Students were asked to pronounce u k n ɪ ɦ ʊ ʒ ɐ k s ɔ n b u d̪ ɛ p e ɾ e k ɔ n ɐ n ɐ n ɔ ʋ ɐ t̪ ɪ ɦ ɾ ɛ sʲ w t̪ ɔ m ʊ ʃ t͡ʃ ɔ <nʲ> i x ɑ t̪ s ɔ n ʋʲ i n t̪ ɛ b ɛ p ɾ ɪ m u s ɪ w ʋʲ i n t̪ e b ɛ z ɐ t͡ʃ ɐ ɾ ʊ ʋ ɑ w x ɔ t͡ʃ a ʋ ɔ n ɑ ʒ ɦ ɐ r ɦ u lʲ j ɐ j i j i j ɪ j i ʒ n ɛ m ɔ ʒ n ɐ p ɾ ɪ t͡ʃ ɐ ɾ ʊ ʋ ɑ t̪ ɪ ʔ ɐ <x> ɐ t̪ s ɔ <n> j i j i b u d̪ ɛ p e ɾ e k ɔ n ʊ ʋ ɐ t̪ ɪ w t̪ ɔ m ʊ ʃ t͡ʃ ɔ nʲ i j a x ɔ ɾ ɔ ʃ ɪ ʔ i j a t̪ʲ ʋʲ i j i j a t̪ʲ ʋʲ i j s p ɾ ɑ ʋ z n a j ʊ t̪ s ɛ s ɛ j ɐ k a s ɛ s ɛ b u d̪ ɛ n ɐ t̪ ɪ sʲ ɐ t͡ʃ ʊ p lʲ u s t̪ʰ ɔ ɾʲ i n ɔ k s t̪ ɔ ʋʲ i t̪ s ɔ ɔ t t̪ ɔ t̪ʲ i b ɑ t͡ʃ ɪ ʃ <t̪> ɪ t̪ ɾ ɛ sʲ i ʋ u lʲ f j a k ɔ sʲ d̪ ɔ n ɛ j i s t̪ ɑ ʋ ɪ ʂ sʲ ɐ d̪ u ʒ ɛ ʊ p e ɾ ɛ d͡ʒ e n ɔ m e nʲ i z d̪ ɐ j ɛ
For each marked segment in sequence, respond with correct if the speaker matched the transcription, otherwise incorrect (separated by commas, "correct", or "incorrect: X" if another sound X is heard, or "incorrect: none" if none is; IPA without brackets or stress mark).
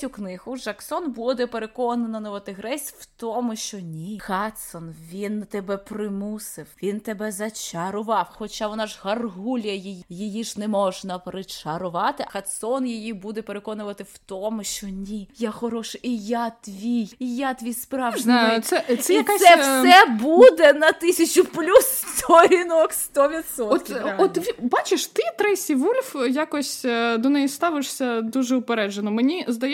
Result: correct, correct, correct, correct